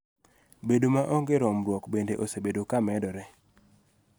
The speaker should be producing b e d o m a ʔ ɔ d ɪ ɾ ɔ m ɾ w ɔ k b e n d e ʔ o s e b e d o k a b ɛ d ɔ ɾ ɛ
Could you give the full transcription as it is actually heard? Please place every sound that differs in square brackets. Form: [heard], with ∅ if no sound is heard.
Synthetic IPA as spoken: b e d o m a ʔ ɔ [ɡ] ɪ ɾ ɔ m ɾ w ɔ k b e n d e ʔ o s e b e d o k a [m] ɛ d ɔ ɾ ɛ